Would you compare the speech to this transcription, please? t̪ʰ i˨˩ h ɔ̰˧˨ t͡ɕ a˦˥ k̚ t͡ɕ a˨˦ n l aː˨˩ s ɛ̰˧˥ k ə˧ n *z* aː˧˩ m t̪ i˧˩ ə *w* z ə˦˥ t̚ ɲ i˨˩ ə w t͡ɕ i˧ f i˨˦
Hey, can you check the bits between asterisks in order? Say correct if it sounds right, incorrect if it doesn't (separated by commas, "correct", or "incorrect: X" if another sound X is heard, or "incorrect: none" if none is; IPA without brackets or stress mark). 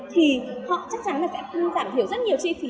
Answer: correct, correct